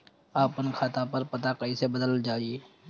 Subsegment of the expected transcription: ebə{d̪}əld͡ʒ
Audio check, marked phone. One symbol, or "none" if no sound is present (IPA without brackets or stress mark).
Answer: d̪